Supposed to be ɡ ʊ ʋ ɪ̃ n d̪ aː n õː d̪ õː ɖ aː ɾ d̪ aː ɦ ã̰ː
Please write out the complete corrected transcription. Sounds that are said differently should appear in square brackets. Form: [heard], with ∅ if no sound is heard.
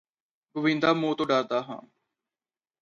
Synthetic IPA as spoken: ɡ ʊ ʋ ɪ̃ n d̪ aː [m] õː [t̪] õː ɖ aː ɾ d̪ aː ɦ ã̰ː